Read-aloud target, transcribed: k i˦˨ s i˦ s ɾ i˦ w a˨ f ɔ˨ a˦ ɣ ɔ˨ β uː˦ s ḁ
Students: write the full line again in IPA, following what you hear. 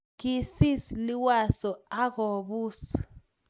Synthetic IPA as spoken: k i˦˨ s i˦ s l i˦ w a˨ s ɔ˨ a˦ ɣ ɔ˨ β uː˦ s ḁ